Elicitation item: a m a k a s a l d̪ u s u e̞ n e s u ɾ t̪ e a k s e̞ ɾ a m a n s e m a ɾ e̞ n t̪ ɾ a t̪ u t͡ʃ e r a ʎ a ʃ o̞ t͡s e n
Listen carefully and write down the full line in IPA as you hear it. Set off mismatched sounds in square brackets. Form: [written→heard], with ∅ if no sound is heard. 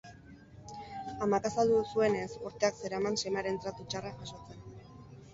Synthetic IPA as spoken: a m a k a s a l d̪ u s u e̞ n e s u ɾ t̪ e a k s e̞ ɾ a m a n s e m a ɾ e̞ n t̪ ɾ a t̪ u t͡ʃ [e→a] r a [ʎ→ʝ] a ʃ o̞ t͡s e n